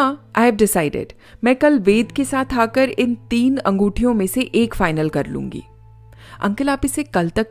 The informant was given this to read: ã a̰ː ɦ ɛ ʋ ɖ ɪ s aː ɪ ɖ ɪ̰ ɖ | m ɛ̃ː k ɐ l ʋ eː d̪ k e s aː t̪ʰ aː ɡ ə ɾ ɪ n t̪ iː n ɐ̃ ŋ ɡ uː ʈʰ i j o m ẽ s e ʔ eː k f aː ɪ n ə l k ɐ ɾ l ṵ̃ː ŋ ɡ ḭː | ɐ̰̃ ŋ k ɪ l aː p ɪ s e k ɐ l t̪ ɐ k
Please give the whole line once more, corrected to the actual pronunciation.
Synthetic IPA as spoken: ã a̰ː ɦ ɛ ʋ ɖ ɪ s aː ɪ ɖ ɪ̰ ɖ | m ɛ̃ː k ɐ l ʋ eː d̪ k e s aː t̪ʰ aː k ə ɾ ɪ n t̪ iː n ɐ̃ ŋ ɡ uː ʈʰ i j õ m ẽ s e ʔ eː k f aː ɪ n ə l k ɐ ɾ l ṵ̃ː ŋ ɡ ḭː | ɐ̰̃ ŋ k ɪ l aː p ɪ s e k ɐ l t̪ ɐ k